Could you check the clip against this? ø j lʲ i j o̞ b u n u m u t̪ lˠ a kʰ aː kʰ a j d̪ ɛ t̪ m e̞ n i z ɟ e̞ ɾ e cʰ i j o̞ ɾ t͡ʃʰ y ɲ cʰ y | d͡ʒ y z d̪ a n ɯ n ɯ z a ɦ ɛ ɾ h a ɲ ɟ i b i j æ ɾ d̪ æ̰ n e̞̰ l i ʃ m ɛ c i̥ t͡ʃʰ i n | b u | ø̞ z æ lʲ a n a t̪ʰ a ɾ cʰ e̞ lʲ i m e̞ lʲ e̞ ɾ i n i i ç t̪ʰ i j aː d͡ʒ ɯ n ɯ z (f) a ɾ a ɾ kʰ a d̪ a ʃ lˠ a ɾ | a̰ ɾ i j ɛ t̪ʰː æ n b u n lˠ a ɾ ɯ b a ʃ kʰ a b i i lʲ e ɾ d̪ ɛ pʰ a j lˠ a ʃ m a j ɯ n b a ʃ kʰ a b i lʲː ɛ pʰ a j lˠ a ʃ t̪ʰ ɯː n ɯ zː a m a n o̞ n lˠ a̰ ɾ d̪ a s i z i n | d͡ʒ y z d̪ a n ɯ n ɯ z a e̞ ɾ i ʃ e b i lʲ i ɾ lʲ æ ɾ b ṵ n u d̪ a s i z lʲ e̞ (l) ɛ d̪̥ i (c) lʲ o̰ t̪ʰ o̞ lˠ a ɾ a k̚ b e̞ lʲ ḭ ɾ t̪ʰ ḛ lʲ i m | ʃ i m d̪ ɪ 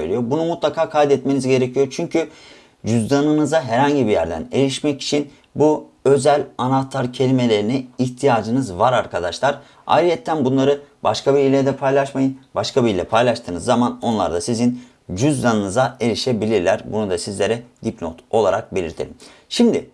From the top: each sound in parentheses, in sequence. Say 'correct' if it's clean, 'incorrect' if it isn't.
incorrect, incorrect, incorrect

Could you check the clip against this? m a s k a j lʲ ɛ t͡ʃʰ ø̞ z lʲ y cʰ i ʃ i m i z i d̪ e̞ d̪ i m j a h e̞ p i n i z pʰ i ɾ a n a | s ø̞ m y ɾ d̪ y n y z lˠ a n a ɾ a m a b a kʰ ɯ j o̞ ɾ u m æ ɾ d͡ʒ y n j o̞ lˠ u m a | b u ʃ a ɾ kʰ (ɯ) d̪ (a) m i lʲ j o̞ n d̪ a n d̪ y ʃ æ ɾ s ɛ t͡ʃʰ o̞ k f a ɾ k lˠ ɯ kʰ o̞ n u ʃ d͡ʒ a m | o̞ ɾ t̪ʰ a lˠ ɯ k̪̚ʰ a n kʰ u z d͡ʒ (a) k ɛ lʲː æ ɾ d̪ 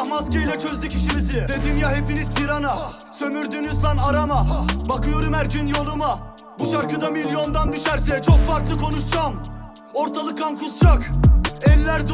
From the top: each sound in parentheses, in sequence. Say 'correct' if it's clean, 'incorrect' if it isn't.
correct, correct, correct

